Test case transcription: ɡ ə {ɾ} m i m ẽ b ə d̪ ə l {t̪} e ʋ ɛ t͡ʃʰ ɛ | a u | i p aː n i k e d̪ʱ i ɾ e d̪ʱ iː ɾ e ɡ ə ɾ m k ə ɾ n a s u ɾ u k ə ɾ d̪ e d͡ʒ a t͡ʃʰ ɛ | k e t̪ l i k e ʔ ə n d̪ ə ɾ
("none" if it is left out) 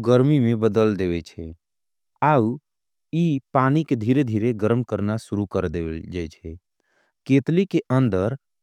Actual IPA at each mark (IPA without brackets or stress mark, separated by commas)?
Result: ɾ, d̪